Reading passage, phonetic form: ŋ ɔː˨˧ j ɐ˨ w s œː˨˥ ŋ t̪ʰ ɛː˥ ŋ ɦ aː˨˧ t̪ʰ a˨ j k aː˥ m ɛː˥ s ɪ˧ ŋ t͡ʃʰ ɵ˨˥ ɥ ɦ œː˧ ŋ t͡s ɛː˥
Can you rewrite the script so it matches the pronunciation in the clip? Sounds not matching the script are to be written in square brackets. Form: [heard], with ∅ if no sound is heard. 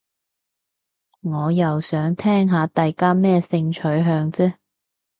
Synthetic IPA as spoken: ŋ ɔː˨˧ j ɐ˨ w s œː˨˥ ŋ t̪ʰ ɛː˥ ŋ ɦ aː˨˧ [t̪] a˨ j k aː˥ m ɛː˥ s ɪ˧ ŋ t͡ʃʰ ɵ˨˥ ɥ ɦ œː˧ ŋ t͡s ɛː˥